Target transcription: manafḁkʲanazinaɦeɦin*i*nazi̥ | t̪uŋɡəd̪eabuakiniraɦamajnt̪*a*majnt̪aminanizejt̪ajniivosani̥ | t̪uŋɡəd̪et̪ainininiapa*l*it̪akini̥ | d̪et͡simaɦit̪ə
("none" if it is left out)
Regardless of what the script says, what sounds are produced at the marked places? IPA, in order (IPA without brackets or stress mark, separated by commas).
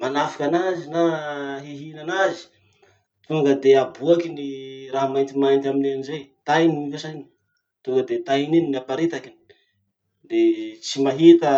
a, i, ɾ